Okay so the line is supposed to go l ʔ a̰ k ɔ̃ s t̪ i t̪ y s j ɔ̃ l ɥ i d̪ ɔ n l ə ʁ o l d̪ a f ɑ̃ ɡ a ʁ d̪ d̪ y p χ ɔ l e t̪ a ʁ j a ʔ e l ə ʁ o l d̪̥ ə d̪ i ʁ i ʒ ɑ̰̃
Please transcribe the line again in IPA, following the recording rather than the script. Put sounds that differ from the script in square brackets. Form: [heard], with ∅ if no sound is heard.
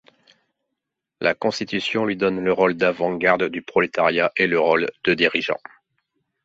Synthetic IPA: l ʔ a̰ k ɔ̃ s t̪ i t̪ y s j ɔ̃ l ɥ i d̪ ɔ n l ə ʁ o l d̪ a [v] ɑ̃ ɡ a ʁ d̪ d̪ y p χ ɔ l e t̪ a ʁ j a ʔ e l ə ʁ o l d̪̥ ə d̪ i ʁ i ʒ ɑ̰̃